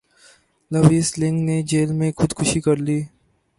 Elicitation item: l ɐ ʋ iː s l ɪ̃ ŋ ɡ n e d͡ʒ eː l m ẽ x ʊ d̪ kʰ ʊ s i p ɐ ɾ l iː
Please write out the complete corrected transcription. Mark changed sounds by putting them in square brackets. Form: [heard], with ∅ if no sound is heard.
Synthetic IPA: l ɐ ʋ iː s l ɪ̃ ŋ ɡ n e d͡ʒ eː l m ẽ x ʊ d̪ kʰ ʊ [ʃ] i [k] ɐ ɾ l iː